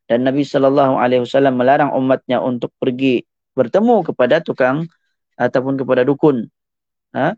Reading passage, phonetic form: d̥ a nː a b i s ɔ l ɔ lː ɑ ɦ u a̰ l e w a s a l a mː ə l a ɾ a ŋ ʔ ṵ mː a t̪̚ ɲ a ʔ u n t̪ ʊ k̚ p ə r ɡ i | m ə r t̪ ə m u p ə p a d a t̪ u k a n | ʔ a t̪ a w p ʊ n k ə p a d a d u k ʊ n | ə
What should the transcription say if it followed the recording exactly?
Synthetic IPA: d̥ a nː a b i s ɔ l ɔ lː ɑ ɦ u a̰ l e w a s a l a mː ə l a ɾ a ŋ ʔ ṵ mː a t̪̚ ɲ a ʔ u n t̪ ʊ k̚ p ə r ɡ i | b ə r t̪ ə m u k ə p a d a t̪ u k a ŋ | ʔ a t̪ a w p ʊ n k ə p a d a d u k ʊ n | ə